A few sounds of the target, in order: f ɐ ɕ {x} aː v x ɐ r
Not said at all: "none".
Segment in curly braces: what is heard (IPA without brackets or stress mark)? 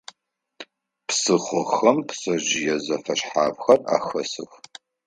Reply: ħ